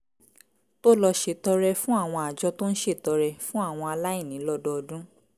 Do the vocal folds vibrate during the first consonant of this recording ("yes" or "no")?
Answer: no